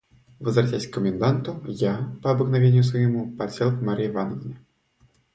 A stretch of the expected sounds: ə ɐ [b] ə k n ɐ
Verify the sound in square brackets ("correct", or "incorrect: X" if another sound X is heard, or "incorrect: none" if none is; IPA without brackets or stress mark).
correct